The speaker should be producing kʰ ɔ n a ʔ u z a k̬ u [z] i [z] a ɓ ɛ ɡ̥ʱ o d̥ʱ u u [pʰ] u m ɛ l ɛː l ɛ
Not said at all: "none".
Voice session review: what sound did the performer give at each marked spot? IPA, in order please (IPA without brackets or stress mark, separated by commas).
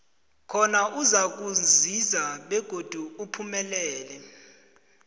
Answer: z, z, pʰ